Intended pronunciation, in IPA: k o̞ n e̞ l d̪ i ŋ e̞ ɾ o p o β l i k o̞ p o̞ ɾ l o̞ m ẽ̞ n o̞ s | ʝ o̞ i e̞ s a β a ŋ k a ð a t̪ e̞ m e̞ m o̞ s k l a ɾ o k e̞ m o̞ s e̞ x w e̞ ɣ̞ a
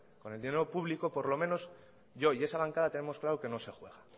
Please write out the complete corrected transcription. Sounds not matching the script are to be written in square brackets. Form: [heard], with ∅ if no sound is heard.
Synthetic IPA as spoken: k o̞ n e̞ l d̪ i [n] e̞ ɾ o p [u] β l i k o̞ p o̞ ɾ l o̞ m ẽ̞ n o̞ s | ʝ o̞ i e̞ s a β a ŋ k a ð a t̪ e̞ [n] e̞ m o̞ s k l a ɾ o k e̞ [n] o̞ s e̞ x w e̞ ɣ̞ a

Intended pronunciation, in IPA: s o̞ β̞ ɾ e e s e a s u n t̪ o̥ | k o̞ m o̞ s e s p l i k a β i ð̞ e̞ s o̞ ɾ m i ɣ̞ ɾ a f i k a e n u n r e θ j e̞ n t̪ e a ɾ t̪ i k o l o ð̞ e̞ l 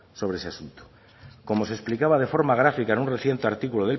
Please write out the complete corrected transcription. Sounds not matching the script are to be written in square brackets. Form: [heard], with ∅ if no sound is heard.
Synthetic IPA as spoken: s o̞ β̞ ɾ e e s e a s u n t̪ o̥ | k o̞ m o̞ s e s p l i k a β [a] ð̞ e̞ [f] o̞ ɾ m [a] ɣ̞ ɾ a f i k a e n u n r e θ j e̞ n t̪ e a ɾ t̪ i k [u] l o ð̞ e̞ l

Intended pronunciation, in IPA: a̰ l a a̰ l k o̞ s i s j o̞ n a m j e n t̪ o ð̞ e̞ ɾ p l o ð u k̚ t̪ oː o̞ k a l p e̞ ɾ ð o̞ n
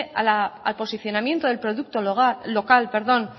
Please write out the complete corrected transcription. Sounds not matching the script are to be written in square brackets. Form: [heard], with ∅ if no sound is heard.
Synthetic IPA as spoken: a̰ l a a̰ l [p] o̞ s i [θ] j o̞ n a m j e n t̪ o ð̞ e̞ [l] p [ɾ] o ð u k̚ t̪ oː o̞ k a l p e̞ ɾ ð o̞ n

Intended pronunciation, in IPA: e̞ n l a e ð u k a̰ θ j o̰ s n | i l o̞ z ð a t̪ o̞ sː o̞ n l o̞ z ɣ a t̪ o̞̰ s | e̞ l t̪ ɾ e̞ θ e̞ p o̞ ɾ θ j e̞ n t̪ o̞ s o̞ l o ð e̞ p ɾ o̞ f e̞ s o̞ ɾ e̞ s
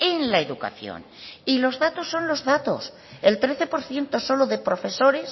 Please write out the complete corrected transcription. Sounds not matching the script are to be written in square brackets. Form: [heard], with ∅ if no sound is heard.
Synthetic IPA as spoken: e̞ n l a e ð u k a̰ θ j o̰ [∅] n | i l o̞ z ð a t̪ o̞ sː o̞ n l o̞ z [ð] a t̪ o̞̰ s | e̞ l t̪ ɾ e̞ θ e̞ p o̞ ɾ θ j e̞ n t̪ o̞ s o̞ l o ð e̞ p ɾ o̞ f e̞ s o̞ ɾ e̞ s

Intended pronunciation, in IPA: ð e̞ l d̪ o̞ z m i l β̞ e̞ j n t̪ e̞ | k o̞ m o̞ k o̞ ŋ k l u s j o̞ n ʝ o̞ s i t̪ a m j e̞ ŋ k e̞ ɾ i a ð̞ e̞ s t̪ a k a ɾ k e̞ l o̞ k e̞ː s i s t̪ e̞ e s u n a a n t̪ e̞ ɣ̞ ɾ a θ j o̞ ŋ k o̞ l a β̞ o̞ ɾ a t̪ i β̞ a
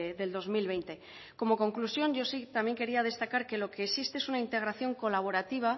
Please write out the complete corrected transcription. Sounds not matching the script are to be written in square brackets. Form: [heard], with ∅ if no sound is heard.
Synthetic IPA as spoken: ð e̞ l d̪ o̞ z m i l β̞ e̞ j n t̪ e̞ | k o̞ m o̞ k o̞ ŋ k l u s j o̞ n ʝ o̞ s i t̪ a m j e̞ ŋ k e̞ ɾ i a ð̞ e̞ s t̪ a k a ɾ k e̞ l o̞ k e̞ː s i s t̪ e̞ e s u n a [i] n t̪ e̞ ɣ̞ ɾ a θ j o̞ ŋ k o̞ l a β̞ o̞ ɾ a t̪ i β̞ a

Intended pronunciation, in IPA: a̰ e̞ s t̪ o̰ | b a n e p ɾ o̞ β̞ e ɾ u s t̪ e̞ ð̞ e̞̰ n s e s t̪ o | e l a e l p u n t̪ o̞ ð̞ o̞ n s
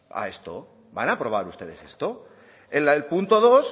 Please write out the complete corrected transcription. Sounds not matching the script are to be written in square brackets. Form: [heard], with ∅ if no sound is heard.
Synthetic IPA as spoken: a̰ e̞ s t̪ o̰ | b a n [a] p ɾ o̞ β̞ [a] ɾ u s t̪ e̞ ð̞ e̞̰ [∅] s e s t̪ o | e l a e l p u n t̪ o̞ ð̞ o̞ [∅] s

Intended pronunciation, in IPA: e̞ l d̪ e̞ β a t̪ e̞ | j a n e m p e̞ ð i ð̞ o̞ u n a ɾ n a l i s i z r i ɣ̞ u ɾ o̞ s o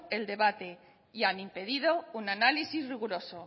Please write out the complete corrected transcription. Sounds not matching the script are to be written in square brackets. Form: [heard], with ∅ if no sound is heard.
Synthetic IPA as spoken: e̞ l d̪ e̞ β a t̪ e̞ | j a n [i] m p e̞ ð i ð̞ o̞ u n a [∅] n a l i s i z r i ɣ̞ u ɾ o̞ s o

